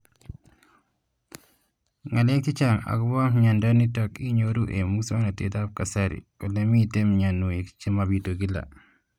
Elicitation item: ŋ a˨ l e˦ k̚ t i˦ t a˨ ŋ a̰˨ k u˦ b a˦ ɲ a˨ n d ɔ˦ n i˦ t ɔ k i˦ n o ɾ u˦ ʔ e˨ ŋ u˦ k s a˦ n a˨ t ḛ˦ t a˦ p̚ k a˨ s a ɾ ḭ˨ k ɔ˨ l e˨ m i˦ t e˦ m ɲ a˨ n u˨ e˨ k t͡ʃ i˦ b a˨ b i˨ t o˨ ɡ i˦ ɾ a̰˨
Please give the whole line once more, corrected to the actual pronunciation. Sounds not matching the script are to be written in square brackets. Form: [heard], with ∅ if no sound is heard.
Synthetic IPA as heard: ŋ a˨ l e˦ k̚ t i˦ [t͡ʃ] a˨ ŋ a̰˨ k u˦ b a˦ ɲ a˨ n d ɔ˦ n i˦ t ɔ k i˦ [ɲ] o ɾ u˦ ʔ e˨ [m] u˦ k s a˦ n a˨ t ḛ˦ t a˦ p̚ k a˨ s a ɾ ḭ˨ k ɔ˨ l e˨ m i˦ t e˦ m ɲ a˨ n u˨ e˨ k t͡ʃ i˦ [m] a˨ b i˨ t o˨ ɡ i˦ [l] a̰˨